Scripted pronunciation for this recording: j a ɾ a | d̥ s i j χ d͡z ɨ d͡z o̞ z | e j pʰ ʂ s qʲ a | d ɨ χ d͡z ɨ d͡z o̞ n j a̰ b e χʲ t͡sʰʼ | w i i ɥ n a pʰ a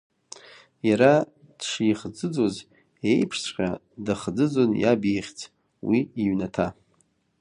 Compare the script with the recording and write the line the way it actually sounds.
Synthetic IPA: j a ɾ a | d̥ ʂ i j χ d͡z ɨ d͡z o̞ z | e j pʰ ʂ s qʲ a | d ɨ χ d͡z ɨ d͡z o̞ n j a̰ b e χʲ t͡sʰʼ | w i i ɥ n a tʰ a